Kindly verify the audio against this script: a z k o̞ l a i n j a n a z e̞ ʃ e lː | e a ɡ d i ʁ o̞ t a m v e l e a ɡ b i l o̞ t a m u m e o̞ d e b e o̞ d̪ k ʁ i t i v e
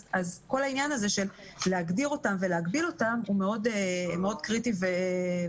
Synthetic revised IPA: a z k o̞ l a i n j a n a z e̞ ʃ e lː | e a ɡ d i ʁ o̞ t a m v e l e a ɡ b i l o̞ t a m u m e o̞ d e m e o̞ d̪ k ʁ i t i v e

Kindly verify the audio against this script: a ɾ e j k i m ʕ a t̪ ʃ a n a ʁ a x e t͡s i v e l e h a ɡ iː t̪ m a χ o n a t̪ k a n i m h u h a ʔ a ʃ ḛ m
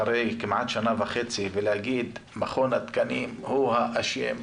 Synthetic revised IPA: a ɾ e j k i m ʕ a t̪ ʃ a n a v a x e t͡s i v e l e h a ɡ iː d̪ m a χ o n a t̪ k a n i m h u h a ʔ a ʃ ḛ m

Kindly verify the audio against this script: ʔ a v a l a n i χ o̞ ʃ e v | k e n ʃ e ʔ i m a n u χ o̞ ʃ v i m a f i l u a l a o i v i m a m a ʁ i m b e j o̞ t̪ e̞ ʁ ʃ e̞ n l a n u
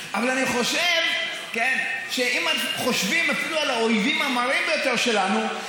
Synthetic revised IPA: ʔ a v a l a n i χ o̞ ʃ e v | k e n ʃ e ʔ i m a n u χ o̞ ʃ v i m a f i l u a l a o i v i m a m a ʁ i m b e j o̞ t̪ e̞ ʁ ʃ e̞ l a n u

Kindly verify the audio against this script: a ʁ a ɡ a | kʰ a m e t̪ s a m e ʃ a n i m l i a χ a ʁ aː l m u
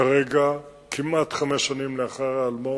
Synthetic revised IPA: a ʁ e ɡ a | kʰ i m a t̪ χ a m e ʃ a n i m l e a χ a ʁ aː l m o

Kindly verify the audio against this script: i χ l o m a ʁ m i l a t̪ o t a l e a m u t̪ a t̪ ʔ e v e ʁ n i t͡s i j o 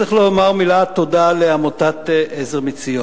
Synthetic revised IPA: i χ l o m a ʁ m i l a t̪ o d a l e a m o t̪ a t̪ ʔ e z e ʁ m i t͡s i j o

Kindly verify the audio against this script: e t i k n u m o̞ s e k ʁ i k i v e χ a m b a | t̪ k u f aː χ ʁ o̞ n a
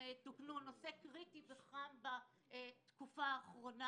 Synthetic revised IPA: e t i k n u n o̞ s e k ʁ i t i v e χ a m b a | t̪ k u f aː χ ʁ o̞ n a

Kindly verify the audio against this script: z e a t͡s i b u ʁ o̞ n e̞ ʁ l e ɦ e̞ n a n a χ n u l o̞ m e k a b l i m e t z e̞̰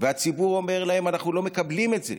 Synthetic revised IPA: v e a t͡s i b u ʁ o̞ m e̞ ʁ l a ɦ e̞ m a n a χ n u l o̞ m e k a b l i m e t z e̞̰

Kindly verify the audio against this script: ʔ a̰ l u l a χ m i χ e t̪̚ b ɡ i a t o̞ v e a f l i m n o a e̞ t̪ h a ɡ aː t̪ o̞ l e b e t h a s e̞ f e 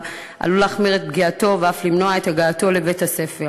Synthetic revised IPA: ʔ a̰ l u l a χ m i ʁ e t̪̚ b ɡ i a t o̞ v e a f l i m n o a e̞ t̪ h a ɡ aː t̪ o̞ l e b e t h a s e̞ f e

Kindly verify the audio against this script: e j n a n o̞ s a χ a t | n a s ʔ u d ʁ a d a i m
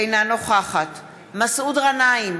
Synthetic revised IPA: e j n a n o̞ χ a χ a t | m a s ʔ u d ʁ a n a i m

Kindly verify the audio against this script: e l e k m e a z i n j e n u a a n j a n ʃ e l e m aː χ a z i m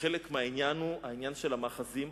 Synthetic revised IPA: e l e k m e a i n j a n u a i n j a n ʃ e l a m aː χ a z i m

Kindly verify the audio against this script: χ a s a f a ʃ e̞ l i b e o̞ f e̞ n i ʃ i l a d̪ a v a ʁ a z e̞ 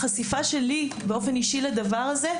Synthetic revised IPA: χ a s i f a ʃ e̞ l i b e o̞ f e̞ n i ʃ i l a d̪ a v a ʁ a z e̞

